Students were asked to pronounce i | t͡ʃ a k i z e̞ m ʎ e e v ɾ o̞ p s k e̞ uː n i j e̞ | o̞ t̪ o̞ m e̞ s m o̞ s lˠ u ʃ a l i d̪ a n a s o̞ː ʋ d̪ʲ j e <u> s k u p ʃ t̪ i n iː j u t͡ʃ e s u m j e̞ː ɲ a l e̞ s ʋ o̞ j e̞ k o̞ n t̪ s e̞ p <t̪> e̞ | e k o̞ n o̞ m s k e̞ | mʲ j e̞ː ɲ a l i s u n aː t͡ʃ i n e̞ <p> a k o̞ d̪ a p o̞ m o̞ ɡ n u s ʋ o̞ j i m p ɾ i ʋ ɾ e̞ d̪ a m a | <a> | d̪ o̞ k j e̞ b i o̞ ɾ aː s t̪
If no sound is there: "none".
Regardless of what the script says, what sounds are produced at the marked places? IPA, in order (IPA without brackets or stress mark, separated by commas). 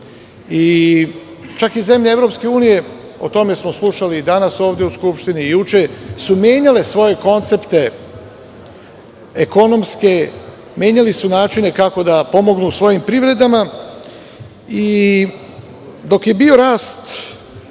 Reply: u, t̪, k, i